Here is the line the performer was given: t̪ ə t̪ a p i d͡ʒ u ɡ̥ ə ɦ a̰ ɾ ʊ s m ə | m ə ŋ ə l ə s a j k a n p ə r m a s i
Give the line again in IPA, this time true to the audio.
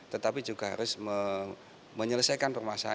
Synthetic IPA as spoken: t̪ ə t̪ a p i d͡ʒ u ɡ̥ a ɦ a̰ ɾ ʊ s m ə | m ə ɲ ə l ə s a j k a n p ə r m a s a